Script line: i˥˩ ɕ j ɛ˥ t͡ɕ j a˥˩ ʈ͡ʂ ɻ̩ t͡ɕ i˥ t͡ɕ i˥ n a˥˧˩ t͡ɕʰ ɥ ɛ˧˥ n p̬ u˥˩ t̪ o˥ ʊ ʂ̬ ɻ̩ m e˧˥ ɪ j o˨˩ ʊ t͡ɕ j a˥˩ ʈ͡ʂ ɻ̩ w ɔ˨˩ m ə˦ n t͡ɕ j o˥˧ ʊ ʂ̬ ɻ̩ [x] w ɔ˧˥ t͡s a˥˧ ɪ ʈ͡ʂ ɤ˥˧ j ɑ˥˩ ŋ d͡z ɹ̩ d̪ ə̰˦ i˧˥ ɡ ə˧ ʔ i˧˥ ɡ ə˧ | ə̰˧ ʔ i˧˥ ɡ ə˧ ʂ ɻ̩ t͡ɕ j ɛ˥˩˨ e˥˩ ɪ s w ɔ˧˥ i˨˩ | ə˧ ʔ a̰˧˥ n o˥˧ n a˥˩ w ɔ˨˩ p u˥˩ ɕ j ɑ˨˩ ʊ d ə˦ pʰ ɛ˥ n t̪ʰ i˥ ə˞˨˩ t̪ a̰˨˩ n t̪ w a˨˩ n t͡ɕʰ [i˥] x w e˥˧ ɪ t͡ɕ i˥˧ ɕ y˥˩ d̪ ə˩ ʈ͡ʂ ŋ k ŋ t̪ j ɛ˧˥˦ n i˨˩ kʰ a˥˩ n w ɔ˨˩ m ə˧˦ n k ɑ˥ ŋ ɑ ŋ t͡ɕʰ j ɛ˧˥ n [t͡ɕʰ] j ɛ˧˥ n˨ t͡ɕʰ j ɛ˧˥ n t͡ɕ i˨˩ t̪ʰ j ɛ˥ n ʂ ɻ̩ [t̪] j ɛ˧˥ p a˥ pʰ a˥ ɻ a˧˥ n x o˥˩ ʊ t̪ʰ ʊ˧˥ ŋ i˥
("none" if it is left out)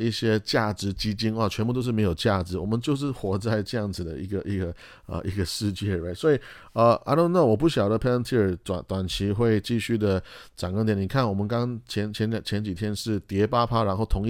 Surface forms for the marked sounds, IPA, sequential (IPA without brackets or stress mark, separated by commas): x, i˧˥, t͡ɕʰ, t̪